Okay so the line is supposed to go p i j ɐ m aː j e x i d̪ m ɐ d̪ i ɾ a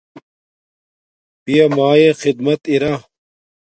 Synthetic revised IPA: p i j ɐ m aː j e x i d̪ m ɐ t̪ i ɾ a